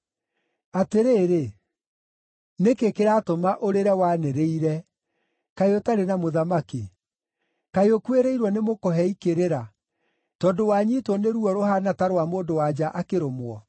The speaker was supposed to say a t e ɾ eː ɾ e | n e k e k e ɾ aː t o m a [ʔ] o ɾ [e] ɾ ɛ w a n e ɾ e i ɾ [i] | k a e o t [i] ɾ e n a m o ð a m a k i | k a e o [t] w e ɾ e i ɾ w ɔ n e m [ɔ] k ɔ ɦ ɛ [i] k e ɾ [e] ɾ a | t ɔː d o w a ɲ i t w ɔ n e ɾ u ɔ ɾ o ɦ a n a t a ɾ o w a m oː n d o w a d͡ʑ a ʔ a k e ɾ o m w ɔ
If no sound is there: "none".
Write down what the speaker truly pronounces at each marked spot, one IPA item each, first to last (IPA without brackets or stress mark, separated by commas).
ʔ, e, ɛ, a, k, o, i, e